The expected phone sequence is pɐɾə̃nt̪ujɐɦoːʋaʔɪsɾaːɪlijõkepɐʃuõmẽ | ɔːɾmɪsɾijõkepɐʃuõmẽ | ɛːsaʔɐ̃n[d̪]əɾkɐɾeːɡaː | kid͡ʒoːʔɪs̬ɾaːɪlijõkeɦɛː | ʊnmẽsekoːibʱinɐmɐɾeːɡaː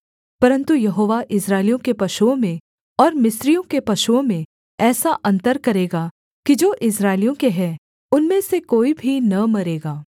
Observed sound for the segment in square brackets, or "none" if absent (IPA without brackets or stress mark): t̪